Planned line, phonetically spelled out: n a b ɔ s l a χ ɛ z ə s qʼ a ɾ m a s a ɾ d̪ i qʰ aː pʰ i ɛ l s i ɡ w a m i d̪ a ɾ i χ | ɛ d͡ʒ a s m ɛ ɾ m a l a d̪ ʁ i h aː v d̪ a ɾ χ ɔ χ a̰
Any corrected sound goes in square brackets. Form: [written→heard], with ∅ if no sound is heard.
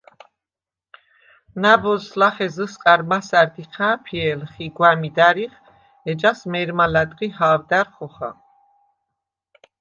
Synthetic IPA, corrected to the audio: n a b ɔ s l a χ ɛ z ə s qʼ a ɾ m a s a ɾ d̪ i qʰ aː pʰ i ɛ l [s→χ] i ɡ w a m i d̪ a ɾ i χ | ɛ d͡ʒ a s m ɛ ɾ m a l a d̪ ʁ i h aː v d̪ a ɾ χ ɔ χ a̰